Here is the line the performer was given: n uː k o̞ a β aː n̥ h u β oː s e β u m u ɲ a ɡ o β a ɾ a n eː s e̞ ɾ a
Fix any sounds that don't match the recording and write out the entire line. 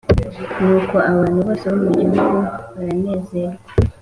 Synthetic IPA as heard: n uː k o̞ a β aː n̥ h u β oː s e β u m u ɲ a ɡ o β a ɾ a n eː z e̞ ɾ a